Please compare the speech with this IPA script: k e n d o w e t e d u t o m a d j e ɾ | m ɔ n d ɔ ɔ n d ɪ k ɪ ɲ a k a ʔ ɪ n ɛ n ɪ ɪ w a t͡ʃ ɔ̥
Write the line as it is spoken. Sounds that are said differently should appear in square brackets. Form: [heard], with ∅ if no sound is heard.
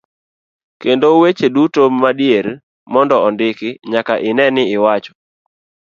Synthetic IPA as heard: k e n d o w e [t͡ʃ] e d u t o m a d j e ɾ | m ɔ n d ɔ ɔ n d ɪ k ɪ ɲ a k a ʔ ɪ n ɛ n ɪ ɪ w a t͡ʃ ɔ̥